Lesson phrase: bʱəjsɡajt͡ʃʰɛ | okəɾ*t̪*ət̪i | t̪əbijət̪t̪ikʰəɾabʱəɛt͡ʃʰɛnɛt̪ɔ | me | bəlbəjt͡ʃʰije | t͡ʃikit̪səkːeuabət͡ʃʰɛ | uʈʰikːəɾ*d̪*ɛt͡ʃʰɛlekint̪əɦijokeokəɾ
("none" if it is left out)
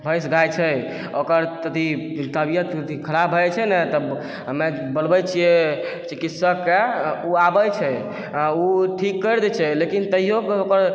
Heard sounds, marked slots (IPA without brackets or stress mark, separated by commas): t̪, d̪